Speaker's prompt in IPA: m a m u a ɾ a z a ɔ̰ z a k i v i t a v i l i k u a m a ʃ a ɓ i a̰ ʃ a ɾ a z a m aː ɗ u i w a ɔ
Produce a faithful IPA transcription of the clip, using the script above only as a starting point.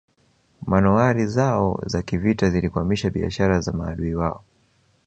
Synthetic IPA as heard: m a n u a ɾ i z a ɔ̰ z a k i v i t a z i l i k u a m i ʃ a ɓ i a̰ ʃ a ɾ a z a m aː ɗ u i w a ɔ